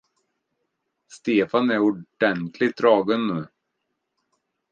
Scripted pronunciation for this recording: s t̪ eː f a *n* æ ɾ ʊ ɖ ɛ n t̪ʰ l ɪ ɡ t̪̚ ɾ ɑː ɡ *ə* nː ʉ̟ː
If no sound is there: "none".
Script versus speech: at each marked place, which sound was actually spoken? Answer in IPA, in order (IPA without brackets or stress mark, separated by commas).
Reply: n, ə